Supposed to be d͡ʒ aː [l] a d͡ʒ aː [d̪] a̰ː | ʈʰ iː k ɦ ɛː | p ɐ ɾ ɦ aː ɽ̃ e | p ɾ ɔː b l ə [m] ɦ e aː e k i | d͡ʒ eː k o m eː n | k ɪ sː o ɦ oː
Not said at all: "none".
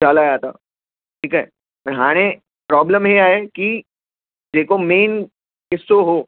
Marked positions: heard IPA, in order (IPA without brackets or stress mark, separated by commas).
l, t̪, m